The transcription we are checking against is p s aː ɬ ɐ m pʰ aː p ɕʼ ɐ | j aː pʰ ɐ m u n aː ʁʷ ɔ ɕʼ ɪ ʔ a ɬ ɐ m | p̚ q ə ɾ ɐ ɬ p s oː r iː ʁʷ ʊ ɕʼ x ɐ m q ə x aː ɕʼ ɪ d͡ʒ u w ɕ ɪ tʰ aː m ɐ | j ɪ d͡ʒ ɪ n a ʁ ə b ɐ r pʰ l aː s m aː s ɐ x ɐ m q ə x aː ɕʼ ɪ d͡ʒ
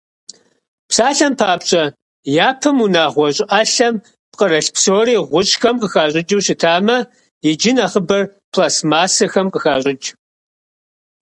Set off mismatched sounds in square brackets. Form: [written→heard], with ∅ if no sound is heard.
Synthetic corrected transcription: p s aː ɬ ɐ m pʰ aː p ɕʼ ɐ | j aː pʰ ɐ m u n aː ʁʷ ɔ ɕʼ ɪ ʔ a ɬ ɐ m | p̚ q ə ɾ ɐ ɬ p s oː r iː ʁʷ ʊ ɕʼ x ɐ m q ə x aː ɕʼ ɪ d͡ʒ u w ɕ ɪ tʰ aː m ɐ | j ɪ d͡ʒ ɪ n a [ʁ→χ] ə b ɐ r pʰ l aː s m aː s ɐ x ɐ m q ə x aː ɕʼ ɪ d͡ʒ